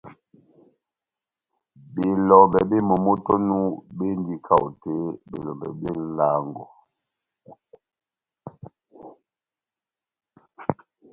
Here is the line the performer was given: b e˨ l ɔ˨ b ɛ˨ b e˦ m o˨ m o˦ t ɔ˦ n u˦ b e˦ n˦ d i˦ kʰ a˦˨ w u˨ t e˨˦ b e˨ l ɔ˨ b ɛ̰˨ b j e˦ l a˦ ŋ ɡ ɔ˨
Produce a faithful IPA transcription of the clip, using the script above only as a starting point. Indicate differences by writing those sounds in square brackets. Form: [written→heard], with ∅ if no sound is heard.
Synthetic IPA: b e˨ l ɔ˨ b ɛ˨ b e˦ m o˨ m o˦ t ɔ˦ n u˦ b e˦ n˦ d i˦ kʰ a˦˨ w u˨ t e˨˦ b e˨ l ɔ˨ b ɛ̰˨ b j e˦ l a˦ ŋ ɡ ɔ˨